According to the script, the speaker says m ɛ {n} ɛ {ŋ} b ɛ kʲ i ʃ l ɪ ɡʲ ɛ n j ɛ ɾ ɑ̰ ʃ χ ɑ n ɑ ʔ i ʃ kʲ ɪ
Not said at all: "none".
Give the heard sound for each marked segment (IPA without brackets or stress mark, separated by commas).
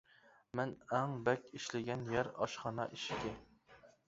n, ŋ